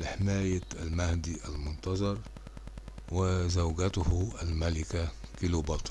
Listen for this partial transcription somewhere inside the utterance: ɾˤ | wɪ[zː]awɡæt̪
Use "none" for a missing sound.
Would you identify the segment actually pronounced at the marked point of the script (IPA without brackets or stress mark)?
z